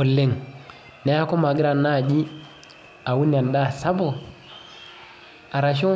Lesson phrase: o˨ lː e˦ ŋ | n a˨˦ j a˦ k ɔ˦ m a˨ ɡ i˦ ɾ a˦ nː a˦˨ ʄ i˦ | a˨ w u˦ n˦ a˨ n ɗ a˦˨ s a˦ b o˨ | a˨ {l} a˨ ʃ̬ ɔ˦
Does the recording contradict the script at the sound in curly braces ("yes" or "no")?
yes